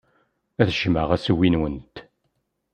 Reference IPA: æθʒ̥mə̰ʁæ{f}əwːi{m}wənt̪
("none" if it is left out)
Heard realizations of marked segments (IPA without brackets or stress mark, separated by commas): s, n